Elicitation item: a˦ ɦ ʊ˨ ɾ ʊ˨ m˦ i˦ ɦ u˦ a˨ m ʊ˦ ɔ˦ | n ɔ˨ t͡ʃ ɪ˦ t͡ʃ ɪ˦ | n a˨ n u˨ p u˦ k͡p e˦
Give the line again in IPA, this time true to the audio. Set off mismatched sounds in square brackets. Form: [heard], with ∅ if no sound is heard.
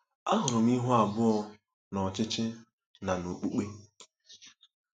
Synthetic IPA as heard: a˦ ɦ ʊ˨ ɾ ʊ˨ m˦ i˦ ɦ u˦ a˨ [b] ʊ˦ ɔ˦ | n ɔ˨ t͡ʃ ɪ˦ t͡ʃ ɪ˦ | n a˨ n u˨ [k͡p] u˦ k͡p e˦

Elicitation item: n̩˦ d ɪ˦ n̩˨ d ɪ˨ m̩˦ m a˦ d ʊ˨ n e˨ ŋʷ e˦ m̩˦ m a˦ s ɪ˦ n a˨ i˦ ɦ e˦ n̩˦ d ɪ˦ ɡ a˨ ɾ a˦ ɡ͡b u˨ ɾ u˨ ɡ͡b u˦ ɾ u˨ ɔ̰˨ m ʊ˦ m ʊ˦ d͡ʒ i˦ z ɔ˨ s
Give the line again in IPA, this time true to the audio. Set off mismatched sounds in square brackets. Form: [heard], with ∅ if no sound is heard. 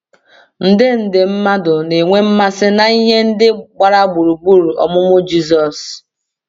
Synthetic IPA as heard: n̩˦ d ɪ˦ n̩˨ d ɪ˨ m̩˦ m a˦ d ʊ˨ n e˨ ŋʷ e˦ m̩˦ m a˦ s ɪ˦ n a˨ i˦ ɦ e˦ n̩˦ d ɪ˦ [ɡ͡b] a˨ ɾ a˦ ɡ͡b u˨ ɾ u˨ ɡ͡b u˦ ɾ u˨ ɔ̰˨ m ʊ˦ m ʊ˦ d͡ʒ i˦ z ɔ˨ s

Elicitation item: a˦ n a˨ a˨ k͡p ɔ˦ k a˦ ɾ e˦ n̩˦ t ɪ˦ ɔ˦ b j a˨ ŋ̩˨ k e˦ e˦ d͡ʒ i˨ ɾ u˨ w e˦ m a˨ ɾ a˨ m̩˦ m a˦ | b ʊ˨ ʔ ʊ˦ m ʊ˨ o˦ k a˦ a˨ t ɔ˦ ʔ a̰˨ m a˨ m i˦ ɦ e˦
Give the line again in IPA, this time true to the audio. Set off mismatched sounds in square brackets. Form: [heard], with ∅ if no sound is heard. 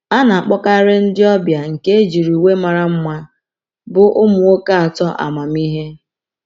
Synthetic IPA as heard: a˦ n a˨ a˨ k͡p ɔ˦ k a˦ ɾ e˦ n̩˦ [d] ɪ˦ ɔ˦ b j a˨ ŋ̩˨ k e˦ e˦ d͡ʒ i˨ ɾ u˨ w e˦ m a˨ ɾ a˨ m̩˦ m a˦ | b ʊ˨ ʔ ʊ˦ m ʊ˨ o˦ k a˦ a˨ t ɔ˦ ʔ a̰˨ m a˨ m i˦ ɦ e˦

